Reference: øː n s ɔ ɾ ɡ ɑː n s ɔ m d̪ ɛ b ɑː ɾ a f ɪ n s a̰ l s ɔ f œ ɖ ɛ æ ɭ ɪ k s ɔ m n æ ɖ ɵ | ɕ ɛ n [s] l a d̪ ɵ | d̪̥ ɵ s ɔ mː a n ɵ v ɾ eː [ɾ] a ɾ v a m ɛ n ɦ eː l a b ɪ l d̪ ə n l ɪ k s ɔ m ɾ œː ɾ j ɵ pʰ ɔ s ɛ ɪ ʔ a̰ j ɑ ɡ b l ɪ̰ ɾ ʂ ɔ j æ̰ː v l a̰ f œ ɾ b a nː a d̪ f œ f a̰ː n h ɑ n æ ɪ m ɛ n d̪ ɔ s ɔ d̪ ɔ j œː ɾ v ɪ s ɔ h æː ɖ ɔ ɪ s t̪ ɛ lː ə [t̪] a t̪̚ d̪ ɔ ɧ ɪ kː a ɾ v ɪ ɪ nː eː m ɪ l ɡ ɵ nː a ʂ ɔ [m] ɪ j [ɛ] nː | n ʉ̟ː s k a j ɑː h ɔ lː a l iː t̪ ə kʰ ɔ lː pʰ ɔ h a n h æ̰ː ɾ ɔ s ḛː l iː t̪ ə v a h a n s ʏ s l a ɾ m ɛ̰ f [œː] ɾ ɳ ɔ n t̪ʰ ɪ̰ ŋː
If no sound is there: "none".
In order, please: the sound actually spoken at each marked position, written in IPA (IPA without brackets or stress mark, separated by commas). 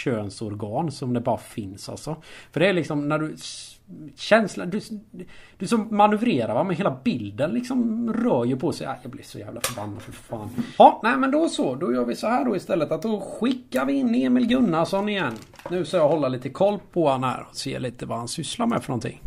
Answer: s, ɾ, t̪, n, ɛ, œ